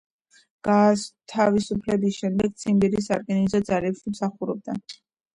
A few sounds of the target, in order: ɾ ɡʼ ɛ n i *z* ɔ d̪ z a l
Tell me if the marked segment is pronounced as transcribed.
yes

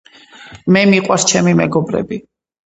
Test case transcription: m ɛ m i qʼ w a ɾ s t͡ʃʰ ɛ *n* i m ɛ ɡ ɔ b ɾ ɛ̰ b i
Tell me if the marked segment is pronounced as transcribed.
no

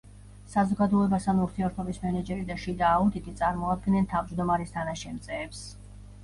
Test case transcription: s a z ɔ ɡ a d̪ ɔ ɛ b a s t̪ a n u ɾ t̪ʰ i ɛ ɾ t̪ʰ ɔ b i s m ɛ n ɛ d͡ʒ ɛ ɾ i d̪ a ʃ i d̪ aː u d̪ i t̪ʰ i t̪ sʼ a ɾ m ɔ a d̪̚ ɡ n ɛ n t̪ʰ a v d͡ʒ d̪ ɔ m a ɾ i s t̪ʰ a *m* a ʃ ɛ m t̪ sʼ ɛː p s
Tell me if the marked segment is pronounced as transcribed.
no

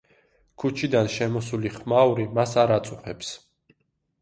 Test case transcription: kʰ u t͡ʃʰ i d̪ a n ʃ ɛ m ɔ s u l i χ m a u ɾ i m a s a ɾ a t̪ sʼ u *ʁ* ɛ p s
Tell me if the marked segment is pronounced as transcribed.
no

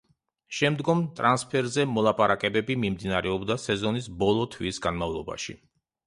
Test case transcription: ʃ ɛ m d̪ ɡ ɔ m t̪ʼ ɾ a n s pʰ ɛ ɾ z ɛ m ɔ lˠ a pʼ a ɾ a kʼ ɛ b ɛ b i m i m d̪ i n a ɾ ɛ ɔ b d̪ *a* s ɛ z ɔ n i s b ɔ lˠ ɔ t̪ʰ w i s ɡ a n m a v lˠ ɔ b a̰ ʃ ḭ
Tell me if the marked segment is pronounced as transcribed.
yes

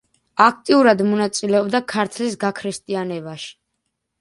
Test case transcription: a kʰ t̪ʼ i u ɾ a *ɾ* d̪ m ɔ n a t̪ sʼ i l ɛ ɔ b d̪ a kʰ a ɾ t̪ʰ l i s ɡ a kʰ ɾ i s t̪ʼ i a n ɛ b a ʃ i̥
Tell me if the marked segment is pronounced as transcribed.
no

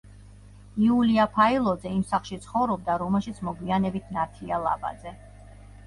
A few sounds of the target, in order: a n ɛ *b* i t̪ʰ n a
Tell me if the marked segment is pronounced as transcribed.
yes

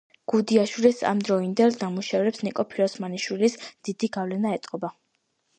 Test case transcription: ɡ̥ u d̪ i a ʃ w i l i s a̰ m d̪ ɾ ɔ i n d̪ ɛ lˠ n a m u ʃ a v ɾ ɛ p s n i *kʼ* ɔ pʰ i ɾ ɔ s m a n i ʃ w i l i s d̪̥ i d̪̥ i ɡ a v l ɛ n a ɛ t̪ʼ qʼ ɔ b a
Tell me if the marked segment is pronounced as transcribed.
yes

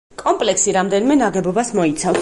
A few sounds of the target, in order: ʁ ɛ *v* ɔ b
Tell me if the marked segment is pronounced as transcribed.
no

